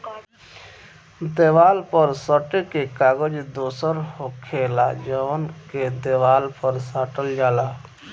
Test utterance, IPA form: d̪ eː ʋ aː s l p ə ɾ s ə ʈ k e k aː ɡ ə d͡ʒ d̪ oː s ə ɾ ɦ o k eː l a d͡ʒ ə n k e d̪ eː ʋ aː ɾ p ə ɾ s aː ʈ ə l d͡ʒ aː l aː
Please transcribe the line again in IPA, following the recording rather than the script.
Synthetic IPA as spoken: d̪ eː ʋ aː l p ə ɾ s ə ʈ k e k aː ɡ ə d͡ʒ d̪ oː s ə ɾ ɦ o kʰ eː l a d͡ʒ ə n k e d̪ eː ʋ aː l p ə ɾ s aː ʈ ə l d͡ʒ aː l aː